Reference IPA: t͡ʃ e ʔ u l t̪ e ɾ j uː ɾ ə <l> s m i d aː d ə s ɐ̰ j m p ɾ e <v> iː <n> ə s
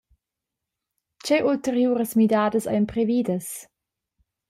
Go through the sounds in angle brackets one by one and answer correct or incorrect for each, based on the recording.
incorrect: none, correct, incorrect: d

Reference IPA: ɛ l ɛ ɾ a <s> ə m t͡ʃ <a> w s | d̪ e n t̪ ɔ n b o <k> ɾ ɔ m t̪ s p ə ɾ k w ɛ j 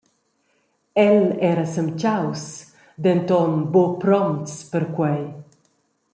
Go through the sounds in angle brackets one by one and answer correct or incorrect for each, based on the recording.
correct, correct, incorrect: p

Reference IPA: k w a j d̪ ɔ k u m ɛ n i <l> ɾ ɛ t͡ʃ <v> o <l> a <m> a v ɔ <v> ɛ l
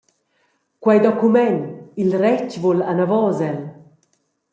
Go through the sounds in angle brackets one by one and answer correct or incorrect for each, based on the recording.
correct, correct, correct, incorrect: n, incorrect: z

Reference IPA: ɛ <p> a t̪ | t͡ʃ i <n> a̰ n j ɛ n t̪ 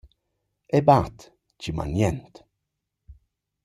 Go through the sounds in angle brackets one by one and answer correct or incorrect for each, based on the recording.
incorrect: b, incorrect: m

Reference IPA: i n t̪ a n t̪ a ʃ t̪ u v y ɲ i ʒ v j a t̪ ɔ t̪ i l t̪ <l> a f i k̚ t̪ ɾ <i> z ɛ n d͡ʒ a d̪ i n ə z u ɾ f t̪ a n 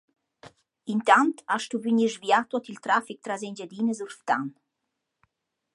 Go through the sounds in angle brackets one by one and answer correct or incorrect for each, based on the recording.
incorrect: ɾ, incorrect: a

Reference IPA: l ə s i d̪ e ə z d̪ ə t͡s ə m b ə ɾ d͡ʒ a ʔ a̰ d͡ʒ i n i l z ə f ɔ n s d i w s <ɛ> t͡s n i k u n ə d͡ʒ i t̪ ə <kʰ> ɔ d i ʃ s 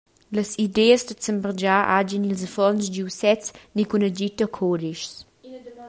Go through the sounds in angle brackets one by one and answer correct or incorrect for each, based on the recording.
correct, correct

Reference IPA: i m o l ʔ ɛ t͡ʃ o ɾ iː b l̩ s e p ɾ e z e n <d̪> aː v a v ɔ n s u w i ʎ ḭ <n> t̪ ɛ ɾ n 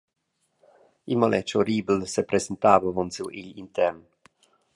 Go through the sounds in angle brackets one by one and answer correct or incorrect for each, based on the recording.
incorrect: t̪, correct

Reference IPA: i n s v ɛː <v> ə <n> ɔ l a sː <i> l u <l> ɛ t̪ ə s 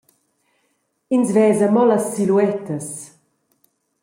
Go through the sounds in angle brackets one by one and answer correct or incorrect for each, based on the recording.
incorrect: z, incorrect: m, correct, incorrect: none

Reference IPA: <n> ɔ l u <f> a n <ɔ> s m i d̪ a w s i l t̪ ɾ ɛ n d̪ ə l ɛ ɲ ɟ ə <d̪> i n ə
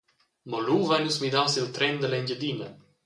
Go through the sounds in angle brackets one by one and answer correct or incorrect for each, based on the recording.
incorrect: m, incorrect: v, incorrect: u, correct

